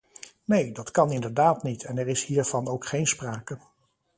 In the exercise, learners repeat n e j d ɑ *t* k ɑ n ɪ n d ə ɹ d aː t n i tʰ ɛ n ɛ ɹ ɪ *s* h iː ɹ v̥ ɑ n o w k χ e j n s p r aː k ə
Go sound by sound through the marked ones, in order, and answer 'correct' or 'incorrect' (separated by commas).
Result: correct, correct